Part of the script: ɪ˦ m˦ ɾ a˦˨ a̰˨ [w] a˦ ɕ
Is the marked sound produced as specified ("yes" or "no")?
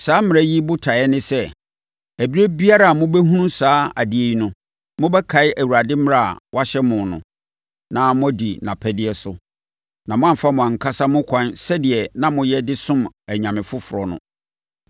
yes